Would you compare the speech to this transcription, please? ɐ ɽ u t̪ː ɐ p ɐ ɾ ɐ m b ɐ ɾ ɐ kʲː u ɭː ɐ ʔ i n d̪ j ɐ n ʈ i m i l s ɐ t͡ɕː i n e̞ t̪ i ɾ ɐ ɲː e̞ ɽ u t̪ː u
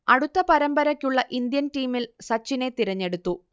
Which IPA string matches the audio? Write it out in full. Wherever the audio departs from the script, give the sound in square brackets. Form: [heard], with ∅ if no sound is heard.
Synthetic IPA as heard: ɐ ɽ u t̪ː ɐ p ɐ ɾ ɐ m b ɐ ɾ ɐ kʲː u ɭː ɐ ʔ i n d̪ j ɐ n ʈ [iː] m i l s ɐ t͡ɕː i n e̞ t̪ i ɾ ɐ ɲː e̞ ɽ u t̪ː u